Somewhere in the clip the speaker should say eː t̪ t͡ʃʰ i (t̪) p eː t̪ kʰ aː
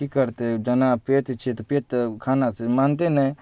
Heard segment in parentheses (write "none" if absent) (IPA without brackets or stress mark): t̪